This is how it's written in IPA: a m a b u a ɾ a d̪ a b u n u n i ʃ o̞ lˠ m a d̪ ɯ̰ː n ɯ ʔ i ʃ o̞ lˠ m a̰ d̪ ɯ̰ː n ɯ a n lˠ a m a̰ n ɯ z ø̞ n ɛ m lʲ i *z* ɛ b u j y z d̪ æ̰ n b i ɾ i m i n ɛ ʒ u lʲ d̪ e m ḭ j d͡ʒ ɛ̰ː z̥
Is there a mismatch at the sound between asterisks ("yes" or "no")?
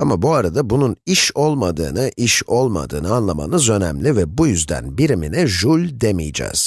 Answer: yes